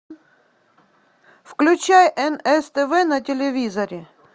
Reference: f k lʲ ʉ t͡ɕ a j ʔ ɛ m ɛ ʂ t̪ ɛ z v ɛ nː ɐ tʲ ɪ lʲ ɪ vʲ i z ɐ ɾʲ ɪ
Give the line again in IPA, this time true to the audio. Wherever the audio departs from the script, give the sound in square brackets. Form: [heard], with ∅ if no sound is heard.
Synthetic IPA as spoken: f k lʲ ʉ t͡ɕ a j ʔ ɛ [n] ɛ [s] t̪ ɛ [∅] v ɛ [n] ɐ tʲ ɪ lʲ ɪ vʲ i z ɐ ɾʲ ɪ